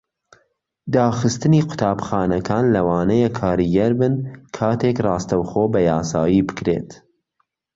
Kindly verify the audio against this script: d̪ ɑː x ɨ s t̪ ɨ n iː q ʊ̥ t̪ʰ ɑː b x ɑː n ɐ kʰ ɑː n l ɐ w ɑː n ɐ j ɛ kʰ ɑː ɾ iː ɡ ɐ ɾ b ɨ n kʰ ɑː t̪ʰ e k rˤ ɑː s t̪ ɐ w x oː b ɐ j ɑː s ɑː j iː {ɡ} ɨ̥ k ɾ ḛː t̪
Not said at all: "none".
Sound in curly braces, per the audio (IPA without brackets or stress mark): b